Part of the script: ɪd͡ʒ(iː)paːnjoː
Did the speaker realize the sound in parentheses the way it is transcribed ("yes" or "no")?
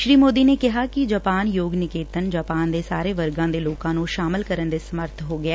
no